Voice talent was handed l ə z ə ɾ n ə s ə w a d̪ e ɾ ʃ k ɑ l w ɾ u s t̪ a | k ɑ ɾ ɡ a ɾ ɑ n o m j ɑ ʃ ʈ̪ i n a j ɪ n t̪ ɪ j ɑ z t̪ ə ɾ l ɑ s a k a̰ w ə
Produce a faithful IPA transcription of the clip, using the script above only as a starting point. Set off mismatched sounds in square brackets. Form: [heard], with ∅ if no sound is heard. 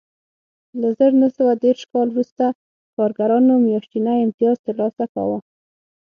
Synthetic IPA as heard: l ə z ə ɾ n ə s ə w a d̪ e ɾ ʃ k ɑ l w ɾ u s t̪ a | k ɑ ɾ ɡ a ɾ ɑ n o m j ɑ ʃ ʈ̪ i n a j ɪ [m] t̪ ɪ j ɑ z t̪ ə ɾ l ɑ s a k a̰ w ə

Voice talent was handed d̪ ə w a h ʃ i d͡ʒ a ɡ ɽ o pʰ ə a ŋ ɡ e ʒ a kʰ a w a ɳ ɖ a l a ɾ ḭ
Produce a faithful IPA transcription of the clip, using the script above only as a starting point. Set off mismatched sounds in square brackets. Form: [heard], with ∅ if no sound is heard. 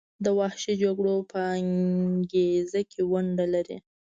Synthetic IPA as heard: d̪ ə w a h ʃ i d͡ʒ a ɡ ɽ o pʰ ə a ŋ ɡ e [z] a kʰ [e] w a ɳ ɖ a l a ɾ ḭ

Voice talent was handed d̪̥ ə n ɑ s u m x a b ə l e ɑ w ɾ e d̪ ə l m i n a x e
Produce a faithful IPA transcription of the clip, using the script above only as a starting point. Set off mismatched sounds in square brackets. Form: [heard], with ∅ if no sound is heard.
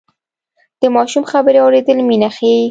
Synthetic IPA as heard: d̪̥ ə [m] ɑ [ʃ] u m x a b ə [ɾ] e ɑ w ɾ e d̪ ə l m i n a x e

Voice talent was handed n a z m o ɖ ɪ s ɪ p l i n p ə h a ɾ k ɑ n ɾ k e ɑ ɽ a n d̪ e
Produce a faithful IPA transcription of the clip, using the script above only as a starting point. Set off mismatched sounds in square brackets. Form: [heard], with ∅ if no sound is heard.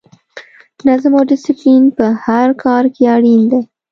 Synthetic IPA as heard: n a z m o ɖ ɪ s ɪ p l i n p ə h a ɾ k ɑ [∅] ɾ k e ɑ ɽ [i] n d̪ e

